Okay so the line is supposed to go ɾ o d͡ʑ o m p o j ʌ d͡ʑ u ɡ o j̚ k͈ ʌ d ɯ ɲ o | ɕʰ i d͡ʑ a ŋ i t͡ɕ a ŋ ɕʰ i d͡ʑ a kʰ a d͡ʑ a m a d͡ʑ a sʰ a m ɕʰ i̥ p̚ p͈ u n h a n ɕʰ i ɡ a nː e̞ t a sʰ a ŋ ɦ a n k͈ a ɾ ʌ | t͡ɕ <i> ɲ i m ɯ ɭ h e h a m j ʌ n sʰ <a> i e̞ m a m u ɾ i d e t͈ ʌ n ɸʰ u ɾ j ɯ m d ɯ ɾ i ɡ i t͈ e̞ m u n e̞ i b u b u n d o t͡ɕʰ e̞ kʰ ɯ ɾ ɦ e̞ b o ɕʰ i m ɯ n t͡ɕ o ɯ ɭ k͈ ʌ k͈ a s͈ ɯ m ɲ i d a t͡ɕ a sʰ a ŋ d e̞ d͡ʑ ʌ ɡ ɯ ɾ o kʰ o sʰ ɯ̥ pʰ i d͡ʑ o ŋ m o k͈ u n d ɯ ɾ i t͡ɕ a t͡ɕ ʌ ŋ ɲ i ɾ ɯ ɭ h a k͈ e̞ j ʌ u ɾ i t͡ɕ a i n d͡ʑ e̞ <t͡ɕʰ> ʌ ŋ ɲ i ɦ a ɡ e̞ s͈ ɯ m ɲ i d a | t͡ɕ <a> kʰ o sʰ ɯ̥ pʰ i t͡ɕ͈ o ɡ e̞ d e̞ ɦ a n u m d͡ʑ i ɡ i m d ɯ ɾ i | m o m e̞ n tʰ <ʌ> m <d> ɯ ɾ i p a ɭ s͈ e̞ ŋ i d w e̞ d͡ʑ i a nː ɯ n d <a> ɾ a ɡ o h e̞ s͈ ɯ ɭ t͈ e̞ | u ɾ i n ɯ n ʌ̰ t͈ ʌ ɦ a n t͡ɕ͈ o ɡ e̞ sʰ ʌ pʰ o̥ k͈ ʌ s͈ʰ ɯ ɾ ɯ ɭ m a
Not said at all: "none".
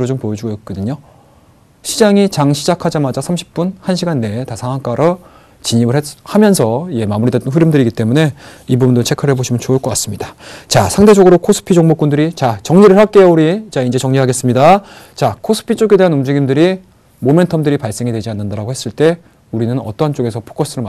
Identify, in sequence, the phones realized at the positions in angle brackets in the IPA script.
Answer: i, ʌ, t͡ɕ, a, ʌ, d, a

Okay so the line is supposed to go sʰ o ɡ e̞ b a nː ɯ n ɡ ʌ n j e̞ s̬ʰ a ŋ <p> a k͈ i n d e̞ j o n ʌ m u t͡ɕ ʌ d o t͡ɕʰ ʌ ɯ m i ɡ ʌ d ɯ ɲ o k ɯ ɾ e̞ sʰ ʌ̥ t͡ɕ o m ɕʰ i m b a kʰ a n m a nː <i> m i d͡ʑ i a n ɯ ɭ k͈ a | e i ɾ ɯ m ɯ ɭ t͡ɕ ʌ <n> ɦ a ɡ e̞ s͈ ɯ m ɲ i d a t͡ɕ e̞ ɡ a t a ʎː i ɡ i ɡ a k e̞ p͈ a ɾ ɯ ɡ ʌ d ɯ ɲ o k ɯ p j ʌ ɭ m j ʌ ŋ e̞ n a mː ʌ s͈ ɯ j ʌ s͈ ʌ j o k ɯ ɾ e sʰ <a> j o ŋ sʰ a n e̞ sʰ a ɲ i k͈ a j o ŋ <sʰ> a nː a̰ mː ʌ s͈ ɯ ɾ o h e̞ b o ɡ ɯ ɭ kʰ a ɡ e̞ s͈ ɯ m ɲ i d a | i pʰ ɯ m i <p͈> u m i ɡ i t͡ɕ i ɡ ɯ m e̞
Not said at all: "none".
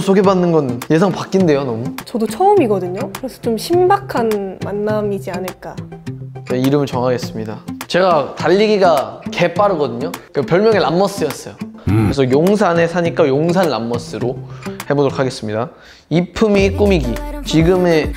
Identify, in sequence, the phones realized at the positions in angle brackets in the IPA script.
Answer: p, a, ŋ, ʌ, sʰ, k͈

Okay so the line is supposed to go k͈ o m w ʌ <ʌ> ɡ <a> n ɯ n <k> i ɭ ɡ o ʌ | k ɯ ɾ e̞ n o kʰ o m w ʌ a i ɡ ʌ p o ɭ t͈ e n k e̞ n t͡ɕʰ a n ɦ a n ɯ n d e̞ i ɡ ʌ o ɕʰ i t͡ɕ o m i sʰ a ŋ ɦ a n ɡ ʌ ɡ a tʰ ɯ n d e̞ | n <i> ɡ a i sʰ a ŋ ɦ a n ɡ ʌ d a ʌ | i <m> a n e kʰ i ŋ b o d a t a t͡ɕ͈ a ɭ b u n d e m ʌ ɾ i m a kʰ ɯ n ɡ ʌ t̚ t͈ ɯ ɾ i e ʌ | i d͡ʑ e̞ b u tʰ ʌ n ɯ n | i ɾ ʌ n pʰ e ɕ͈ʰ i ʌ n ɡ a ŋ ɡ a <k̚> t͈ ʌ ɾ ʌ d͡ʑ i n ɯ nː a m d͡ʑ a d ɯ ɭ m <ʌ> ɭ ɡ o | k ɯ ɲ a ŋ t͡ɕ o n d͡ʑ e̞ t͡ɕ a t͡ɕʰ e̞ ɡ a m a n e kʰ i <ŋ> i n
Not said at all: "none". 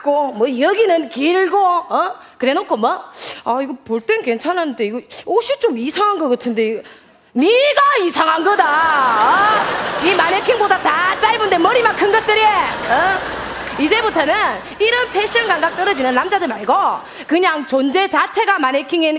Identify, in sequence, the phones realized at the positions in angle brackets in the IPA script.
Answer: ʌ, i, k, i, m, k̚, a, ŋ

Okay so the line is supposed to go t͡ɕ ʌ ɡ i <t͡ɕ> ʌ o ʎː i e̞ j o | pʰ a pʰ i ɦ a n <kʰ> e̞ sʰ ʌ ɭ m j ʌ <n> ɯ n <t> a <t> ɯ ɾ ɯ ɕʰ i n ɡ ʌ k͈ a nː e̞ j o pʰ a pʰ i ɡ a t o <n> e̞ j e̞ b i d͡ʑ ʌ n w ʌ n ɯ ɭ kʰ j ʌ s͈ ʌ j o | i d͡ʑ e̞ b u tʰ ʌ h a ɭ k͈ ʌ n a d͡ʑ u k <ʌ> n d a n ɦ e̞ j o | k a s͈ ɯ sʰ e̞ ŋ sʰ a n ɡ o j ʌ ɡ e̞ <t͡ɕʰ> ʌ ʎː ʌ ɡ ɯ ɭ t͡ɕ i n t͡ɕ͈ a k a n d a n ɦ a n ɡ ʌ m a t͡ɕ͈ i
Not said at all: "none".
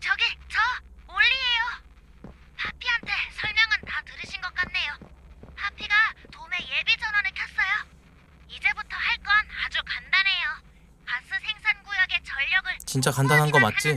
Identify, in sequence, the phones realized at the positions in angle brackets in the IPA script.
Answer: t͡ɕ, tʰ, ŋ, t, t, m, a, t͡ɕ

